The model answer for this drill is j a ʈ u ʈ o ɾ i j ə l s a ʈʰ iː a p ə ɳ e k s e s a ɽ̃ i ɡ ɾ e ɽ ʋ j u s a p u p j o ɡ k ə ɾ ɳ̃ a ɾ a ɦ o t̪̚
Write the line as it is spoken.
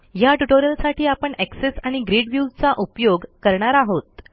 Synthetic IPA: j a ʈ u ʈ o ɾ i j ə l s a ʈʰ iː a p ə ɳ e k s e s a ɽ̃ i ɡ ɾ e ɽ ʋ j u t͡s a ʔ u p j o ɡ k ə ɾ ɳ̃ a ɾ a ɦ o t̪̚